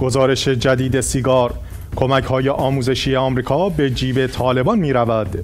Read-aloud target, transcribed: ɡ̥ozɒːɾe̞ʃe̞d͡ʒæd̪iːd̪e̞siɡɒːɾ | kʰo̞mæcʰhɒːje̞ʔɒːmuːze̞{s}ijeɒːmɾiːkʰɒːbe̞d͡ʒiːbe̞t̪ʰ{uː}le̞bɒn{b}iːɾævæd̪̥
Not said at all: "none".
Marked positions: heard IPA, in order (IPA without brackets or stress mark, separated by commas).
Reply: ʃ, ɒː, m